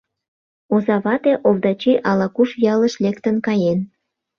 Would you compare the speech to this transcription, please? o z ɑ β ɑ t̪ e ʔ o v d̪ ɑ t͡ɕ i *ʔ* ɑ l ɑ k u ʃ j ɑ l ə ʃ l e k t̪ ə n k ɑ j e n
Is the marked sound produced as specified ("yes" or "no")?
yes